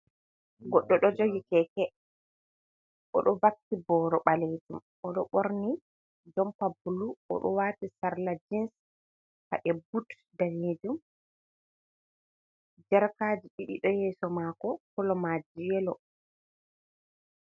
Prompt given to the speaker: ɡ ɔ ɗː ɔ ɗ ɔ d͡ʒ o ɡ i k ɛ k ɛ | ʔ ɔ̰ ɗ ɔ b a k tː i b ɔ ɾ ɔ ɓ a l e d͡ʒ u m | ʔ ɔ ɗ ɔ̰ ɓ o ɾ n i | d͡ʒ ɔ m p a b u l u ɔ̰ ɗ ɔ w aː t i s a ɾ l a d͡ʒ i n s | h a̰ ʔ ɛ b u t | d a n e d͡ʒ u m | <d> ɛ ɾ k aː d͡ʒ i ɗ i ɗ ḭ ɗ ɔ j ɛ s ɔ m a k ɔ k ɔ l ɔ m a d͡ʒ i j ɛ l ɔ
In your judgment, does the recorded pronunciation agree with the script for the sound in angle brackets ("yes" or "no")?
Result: no